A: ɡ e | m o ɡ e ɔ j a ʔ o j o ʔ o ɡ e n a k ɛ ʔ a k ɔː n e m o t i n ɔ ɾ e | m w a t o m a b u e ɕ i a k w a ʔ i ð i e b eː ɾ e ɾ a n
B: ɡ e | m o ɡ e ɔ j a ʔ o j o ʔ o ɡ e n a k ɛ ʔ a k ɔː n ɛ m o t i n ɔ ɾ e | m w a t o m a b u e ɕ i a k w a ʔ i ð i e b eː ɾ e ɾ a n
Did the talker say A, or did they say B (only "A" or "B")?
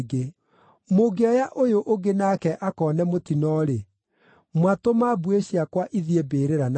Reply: B